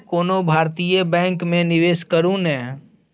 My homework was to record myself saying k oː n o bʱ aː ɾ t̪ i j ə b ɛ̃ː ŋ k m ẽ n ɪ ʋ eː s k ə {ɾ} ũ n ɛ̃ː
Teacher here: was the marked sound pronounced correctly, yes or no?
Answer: yes